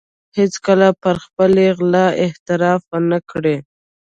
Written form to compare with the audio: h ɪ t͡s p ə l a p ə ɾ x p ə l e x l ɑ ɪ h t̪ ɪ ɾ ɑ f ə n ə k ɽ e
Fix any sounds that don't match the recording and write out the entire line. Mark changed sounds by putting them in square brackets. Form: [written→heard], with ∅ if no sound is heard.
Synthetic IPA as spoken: h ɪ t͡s [p→k] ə l a p ə ɾ x p ə l e [x→ɣ] l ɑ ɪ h t̪ ɪ ɾ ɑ f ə n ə k ɽ e